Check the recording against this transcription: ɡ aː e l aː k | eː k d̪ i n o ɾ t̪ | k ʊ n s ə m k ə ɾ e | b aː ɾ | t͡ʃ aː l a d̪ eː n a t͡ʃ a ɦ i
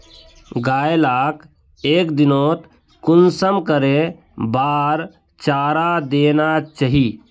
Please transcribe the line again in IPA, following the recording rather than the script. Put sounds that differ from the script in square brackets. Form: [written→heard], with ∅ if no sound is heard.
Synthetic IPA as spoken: ɡ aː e l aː k | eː k d̪ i n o [ɾ→∅] t̪ | k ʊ n s ə m k ə ɾ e | b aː ɾ | t͡ʃ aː [l→ɾ] a d̪ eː n a t͡ʃ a ɦ i